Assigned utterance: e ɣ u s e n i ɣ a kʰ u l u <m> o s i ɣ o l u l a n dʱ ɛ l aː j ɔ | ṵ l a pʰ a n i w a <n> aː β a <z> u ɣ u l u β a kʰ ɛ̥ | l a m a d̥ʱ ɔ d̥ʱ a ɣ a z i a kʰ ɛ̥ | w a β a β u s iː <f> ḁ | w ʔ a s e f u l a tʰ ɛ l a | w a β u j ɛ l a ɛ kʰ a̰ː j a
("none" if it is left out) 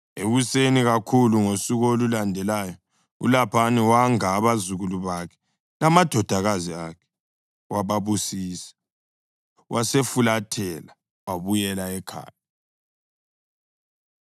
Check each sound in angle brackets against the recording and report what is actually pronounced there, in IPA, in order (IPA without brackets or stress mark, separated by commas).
ŋ, ŋ, z, s